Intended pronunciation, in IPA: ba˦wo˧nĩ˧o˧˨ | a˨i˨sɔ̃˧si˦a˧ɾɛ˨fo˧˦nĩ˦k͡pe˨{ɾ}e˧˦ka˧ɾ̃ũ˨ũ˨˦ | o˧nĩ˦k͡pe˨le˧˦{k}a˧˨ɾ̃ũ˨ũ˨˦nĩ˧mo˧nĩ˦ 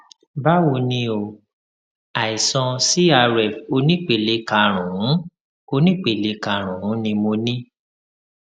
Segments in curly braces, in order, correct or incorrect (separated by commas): incorrect, correct